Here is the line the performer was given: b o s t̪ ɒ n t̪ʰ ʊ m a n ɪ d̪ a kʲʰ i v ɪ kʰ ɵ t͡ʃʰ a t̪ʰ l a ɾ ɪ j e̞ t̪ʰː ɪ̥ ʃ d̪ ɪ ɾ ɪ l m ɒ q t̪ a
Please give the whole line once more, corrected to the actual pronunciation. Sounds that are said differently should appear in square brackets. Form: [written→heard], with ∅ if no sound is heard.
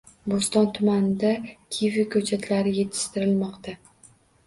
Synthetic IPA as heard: b o s t̪ ɒ n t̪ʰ ʊ m a n ɪ d̪ a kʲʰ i v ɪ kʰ ɵ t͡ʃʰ a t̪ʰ l a ɾ ɪ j e̞ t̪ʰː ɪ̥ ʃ [d̪→t̪] ɪ ɾ ɪ l m ɒ q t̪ a